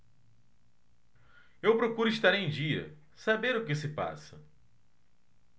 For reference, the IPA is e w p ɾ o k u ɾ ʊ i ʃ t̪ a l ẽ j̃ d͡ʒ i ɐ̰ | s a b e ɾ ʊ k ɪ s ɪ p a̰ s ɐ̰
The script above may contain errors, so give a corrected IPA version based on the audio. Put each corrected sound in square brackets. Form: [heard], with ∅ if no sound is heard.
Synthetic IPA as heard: e w p ɾ o k u ɾ ʊ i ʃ t̪ a [ɾ] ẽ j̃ d͡ʒ i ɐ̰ | s a b e ɾ ʊ k ɪ s ɪ p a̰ s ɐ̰